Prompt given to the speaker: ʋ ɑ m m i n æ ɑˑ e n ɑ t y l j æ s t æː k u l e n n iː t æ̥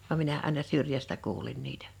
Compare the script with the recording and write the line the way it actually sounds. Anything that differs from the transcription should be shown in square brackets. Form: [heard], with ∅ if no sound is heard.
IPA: ʋ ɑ m m i n æ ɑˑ e n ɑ [s] y [r] j æ s t [æ] k [uː] l [i] n n iː t æ̥